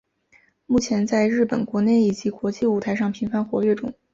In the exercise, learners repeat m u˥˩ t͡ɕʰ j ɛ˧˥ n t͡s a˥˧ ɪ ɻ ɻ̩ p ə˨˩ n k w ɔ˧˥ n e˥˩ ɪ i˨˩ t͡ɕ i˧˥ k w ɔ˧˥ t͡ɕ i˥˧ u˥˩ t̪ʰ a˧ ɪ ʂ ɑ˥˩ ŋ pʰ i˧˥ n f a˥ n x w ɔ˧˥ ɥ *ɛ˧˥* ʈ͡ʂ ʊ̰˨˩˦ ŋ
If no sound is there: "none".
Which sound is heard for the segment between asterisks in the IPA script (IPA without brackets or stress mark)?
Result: ɛ˥˩